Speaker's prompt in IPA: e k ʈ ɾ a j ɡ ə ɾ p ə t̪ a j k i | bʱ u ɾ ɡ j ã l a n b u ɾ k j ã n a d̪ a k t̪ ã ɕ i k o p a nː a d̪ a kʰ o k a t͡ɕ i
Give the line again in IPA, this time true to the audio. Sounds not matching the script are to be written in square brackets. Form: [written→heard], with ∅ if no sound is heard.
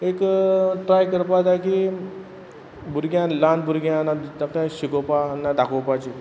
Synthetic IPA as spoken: e k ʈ ɾ a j [ɡ→k] ə ɾ p [ə→a] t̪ a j k i | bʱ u ɾ ɡ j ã l a n b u ɾ [k→ɡ] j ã n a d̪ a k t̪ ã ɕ i k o p a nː a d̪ a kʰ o [k→p] a t͡ɕ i